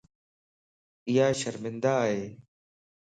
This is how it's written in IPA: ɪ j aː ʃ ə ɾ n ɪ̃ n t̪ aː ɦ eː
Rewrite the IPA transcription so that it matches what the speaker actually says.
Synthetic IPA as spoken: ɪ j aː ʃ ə ɾ m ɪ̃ n d̪ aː ɦ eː